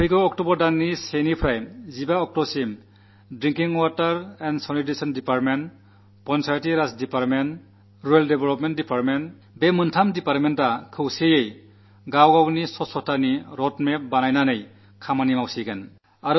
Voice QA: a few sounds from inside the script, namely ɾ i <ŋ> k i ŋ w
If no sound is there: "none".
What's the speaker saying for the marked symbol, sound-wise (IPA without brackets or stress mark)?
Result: ŋ